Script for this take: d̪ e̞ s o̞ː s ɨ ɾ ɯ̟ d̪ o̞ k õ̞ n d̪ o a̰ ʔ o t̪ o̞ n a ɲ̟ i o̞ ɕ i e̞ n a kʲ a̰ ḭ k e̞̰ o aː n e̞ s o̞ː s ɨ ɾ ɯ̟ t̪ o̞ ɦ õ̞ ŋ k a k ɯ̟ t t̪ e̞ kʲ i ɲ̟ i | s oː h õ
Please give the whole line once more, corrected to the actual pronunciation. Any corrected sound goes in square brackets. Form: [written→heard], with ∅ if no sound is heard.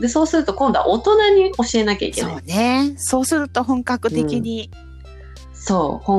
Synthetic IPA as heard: d̪ e̞ s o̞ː s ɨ ɾ ɯ̟ [d̪→t̪] o̞ k õ̞ n d̪ o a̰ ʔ o t̪ o̞ n a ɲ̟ i o̞ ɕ i e̞ n a kʲ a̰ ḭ k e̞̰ o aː n e̞ s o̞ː s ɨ ɾ ɯ̟ t̪ o̞ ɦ õ̞ ŋ k a k ɯ̟ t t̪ e̞ kʲ i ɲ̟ i | s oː h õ